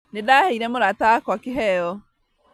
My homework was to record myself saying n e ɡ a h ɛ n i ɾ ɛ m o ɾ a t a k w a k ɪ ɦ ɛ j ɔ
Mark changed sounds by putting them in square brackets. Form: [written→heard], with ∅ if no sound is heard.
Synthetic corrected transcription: n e [ɡ→d] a h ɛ [n→∅] i ɾ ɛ m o ɾ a t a k w a k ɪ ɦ ɛ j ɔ